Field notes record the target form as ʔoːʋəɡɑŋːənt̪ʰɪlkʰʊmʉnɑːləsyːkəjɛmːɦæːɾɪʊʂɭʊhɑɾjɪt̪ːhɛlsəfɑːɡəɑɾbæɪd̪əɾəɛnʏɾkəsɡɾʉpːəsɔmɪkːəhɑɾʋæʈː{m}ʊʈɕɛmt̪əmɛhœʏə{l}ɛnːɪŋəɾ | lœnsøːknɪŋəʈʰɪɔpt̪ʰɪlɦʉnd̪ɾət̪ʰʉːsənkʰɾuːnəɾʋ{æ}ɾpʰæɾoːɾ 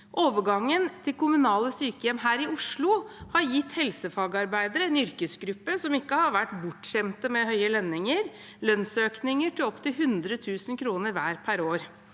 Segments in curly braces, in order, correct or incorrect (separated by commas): incorrect, correct, incorrect